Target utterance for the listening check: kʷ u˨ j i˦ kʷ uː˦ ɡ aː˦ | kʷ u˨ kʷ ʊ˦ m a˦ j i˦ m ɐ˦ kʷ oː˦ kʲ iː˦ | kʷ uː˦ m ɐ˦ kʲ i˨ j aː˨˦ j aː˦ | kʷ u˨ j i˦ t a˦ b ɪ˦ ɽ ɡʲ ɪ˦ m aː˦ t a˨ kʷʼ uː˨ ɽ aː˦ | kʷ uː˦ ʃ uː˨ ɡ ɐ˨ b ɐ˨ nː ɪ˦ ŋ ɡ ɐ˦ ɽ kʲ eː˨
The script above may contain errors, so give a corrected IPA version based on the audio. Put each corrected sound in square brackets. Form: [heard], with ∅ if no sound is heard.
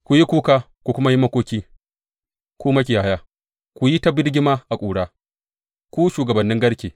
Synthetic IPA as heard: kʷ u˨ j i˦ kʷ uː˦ [k] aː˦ | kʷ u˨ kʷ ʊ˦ m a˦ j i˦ m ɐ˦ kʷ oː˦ kʲ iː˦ | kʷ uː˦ m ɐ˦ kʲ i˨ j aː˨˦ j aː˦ | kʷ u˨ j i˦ t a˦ b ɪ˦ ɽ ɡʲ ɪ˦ m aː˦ [ʔ] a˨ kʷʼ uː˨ ɽ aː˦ | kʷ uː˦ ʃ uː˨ ɡ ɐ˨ b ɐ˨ nː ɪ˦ ŋ ɡ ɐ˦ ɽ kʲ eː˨